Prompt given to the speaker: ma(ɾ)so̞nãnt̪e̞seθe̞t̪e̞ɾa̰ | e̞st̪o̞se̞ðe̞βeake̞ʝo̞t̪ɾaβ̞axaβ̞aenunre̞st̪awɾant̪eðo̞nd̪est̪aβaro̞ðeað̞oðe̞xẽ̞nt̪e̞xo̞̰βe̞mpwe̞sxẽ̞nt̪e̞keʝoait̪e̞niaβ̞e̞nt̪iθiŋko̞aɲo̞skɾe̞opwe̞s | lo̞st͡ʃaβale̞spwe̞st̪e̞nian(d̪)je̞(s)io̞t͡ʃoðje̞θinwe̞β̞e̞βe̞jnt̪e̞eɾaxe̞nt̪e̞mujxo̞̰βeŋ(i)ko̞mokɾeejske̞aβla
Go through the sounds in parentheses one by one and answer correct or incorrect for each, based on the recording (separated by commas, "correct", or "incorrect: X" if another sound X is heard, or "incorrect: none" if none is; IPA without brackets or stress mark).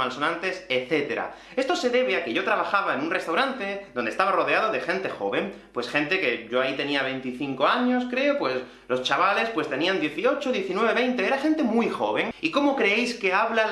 incorrect: l, correct, incorrect: θ, correct